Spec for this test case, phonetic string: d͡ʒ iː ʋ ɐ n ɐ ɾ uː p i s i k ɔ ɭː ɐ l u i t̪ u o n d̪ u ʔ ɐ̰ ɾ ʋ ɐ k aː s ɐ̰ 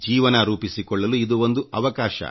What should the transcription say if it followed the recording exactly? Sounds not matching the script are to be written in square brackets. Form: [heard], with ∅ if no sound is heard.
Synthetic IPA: d͡ʒ iː ʋ ɐ n ɐ ɾ uː p i s i k ɔ ɭː ɐ l u i [d̪] u o n d̪ u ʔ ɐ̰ [∅] ʋ ɐ k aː [ʃ] ɐ̰